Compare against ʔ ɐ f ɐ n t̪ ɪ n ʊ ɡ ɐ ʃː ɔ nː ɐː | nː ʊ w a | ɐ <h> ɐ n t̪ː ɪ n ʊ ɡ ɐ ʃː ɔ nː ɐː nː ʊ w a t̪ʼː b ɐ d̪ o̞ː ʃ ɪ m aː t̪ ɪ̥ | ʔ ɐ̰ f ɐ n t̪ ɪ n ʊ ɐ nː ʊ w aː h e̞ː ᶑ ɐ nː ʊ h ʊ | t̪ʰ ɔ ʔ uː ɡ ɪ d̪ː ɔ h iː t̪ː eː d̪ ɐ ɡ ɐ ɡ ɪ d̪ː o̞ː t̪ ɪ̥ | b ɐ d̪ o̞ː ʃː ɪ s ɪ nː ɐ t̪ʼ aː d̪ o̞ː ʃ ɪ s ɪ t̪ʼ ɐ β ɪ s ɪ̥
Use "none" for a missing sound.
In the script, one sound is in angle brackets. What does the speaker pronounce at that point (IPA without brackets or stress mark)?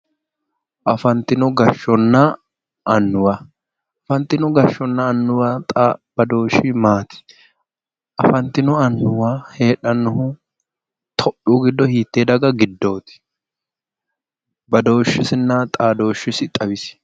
f